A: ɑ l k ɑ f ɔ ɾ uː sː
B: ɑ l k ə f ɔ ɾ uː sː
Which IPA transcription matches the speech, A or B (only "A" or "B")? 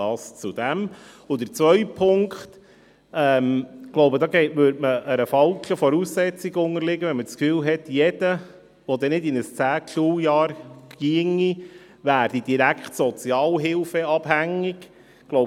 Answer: B